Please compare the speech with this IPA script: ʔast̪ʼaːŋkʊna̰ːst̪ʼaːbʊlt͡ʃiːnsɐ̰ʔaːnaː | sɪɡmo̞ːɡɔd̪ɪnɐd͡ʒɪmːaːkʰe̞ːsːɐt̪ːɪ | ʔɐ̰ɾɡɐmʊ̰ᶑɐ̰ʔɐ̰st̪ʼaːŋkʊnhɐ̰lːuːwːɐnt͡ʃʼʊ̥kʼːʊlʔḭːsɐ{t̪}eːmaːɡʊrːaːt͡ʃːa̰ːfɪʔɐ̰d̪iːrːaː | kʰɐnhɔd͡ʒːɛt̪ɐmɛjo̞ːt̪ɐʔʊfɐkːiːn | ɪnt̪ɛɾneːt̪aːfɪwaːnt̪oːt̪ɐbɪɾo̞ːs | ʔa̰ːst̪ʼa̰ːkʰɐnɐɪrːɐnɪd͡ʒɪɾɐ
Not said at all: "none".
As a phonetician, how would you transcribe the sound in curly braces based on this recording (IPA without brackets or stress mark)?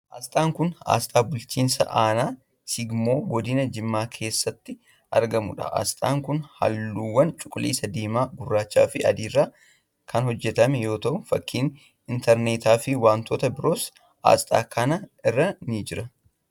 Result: d̪